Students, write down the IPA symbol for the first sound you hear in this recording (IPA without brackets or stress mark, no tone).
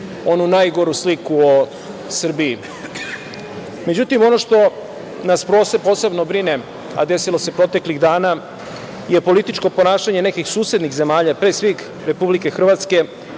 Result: o̞